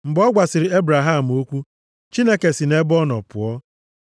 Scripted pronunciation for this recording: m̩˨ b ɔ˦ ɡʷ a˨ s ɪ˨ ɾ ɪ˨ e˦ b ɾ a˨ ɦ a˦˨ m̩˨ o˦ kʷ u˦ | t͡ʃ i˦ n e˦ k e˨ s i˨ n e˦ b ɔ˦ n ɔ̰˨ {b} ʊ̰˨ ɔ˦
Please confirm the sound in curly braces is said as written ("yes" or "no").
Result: no